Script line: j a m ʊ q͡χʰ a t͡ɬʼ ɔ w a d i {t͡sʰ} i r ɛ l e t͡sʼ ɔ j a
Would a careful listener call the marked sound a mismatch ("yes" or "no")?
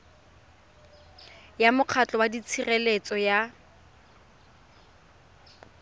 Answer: no